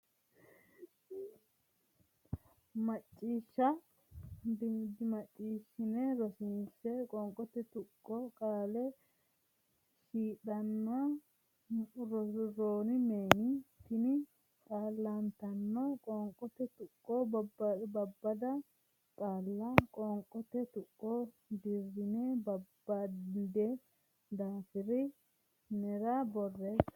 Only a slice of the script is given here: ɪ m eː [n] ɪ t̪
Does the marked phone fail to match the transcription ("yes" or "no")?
no